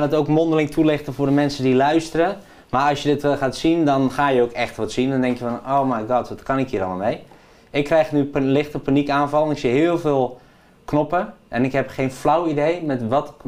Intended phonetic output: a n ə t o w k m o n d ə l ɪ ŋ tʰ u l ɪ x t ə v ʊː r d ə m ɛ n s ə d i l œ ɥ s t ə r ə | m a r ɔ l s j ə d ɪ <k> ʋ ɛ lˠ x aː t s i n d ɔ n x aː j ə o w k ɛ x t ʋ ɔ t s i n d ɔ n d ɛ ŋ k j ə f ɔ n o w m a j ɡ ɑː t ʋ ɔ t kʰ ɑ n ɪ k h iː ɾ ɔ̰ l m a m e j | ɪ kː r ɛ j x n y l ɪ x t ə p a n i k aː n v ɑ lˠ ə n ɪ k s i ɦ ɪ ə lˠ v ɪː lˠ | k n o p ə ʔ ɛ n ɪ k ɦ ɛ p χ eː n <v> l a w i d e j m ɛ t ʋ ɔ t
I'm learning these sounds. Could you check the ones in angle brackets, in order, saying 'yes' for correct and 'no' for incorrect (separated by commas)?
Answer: no, no